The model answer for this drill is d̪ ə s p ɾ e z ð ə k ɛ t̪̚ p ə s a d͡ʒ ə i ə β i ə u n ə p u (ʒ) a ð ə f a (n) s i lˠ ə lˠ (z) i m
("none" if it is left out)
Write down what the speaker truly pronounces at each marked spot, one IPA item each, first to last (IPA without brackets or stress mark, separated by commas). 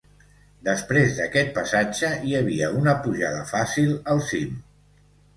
ʒ, none, s